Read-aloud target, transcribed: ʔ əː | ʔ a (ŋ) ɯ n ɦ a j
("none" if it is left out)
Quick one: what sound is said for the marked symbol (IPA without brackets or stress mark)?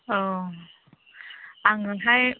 ŋ